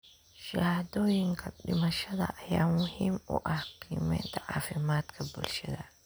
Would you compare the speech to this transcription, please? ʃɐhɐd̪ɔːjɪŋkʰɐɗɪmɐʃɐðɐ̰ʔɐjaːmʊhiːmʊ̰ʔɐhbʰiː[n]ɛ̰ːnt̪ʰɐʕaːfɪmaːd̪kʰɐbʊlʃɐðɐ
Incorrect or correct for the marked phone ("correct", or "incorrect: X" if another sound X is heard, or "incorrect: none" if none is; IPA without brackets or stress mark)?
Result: incorrect: m